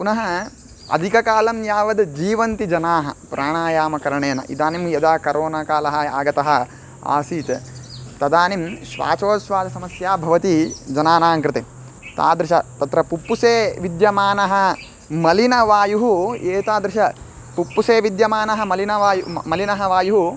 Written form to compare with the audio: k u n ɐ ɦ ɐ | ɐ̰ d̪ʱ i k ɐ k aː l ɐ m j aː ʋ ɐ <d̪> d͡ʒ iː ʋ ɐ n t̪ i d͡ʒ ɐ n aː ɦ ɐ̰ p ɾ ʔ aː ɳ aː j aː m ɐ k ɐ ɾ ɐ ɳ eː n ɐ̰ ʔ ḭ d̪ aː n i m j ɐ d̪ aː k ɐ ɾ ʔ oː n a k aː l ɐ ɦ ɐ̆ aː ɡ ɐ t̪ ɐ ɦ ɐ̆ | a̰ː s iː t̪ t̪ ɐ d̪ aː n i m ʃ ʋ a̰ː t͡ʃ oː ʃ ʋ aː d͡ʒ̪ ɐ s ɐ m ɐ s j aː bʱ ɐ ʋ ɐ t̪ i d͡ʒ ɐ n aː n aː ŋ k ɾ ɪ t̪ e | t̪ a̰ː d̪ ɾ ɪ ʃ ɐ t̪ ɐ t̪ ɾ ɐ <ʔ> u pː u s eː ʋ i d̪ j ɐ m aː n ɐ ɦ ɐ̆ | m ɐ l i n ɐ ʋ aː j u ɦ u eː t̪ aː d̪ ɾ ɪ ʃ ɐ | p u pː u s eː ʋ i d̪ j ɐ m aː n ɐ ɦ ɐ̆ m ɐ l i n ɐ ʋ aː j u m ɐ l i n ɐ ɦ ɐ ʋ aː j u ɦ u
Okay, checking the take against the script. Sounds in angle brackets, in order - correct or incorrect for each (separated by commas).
correct, incorrect